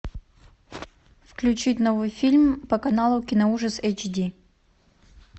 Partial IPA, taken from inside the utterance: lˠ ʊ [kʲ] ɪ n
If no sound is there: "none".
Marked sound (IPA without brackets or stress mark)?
kʲ